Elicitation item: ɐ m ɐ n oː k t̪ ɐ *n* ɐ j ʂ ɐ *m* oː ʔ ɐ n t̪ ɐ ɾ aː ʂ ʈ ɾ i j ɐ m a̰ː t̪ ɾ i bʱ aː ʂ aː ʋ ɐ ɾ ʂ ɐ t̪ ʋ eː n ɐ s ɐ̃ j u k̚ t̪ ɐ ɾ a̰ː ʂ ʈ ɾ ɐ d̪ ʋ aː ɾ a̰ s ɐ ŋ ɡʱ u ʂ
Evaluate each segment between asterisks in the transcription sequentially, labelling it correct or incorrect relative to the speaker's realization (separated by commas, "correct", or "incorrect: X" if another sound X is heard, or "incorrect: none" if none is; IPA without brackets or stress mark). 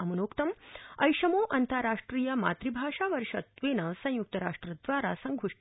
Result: incorrect: m, correct